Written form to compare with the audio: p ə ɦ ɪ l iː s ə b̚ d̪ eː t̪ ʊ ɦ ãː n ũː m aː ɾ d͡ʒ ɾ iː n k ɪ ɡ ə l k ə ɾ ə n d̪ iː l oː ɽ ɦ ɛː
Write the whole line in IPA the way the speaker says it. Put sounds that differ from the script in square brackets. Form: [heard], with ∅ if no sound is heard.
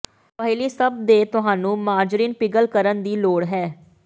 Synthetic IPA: p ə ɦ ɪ l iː s ə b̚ d̪ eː t̪ ʊ ɦ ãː n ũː m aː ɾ d͡ʒ ɾ iː n [p] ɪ ɡ ə l k ə ɾ ə n d̪ iː l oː ɽ ɦ ɛː

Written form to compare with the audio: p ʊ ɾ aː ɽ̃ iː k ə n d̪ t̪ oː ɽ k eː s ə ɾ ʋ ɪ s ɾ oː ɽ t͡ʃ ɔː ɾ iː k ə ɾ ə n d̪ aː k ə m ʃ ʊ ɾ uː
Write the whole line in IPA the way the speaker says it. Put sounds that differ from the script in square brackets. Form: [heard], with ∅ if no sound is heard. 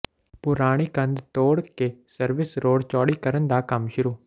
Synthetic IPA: p ʊ ɾ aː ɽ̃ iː k ə n d̪ t̪ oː ɽ k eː s ə ɾ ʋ ɪ s ɾ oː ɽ t͡ʃ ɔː [ɽ] iː k ə ɾ ə n d̪ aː k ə m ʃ ʊ ɾ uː

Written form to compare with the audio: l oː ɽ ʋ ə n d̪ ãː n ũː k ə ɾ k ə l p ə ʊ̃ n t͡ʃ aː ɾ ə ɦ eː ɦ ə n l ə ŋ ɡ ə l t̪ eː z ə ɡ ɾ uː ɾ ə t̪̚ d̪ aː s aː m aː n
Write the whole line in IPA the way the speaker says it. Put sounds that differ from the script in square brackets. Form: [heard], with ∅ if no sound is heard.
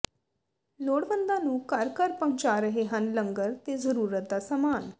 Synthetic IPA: l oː ɽ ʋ ə n d̪ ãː n ũː k ə ɾ k ə [ɾ] p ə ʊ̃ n t͡ʃ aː ɾ ə ɦ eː ɦ ə n l ə ŋ ɡ ə [ɾ] t̪ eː z ə [∅] ɾ uː ɾ ə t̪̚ d̪ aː s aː m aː n

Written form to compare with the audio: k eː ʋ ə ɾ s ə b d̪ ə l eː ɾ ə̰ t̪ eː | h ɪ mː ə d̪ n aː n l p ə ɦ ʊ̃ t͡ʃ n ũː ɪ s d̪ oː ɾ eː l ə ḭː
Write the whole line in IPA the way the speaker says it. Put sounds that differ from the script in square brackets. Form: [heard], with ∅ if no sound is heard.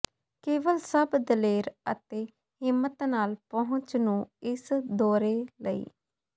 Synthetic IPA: k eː ʋ ə [l] s ə b d̪ ə l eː ɾ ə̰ t̪ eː | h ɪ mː ə [t̪] n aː [∅] l p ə ɦ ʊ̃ t͡ʃ n ũː ɪ s d̪ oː ɾ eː l ə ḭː

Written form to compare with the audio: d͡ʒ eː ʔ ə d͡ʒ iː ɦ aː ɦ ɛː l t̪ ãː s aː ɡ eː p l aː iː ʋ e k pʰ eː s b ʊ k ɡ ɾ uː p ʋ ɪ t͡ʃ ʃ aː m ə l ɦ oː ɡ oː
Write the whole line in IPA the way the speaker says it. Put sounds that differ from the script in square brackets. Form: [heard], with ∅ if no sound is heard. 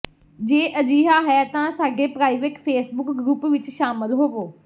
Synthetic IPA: d͡ʒ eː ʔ ə d͡ʒ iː ɦ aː ɦ ɛː [∅] t̪ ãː s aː ɡ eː p [ɾ] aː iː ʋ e k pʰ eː s b ʊ k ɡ ɾ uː p ʋ ɪ t͡ʃ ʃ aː m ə l ɦ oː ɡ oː

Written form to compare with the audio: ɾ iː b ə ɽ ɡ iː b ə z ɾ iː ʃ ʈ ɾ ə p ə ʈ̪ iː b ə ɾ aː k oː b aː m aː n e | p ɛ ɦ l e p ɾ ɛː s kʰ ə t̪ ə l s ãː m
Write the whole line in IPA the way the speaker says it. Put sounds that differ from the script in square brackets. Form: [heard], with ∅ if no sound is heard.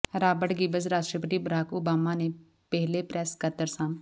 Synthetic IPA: ɾ [aː] b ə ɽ ɡ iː b ə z ɾ [aː] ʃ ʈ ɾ ə p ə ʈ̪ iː b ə ɾ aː k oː b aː m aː n e | p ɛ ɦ l e p ɾ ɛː s [k] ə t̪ ə [ɾ] s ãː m

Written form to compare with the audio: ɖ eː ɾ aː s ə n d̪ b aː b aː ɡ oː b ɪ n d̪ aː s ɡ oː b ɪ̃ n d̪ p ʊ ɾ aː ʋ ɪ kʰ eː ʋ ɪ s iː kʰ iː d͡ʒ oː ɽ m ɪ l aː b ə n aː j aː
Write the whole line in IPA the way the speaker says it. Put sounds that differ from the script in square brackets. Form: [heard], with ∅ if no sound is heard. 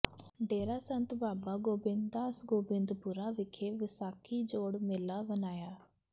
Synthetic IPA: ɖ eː ɾ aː s ə n [t̪] b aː b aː ɡ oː b ɪ n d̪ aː s ɡ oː b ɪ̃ n d̪ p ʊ ɾ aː ʋ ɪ kʰ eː ʋ ɪ s [aː] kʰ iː d͡ʒ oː ɽ m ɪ l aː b ə n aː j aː

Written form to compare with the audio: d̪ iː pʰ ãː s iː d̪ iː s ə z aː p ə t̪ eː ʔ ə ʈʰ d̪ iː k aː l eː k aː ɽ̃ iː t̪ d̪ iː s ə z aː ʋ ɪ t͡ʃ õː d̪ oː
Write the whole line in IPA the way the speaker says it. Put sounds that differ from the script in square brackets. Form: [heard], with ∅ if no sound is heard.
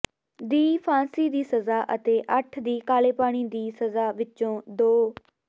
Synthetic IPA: d̪ iː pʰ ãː s iː d̪ iː s ə z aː [ʔ] ə t̪ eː ʔ ə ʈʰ d̪ iː k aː l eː [p] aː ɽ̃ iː [∅] d̪ iː s ə z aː ʋ ɪ t͡ʃ õː d̪ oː

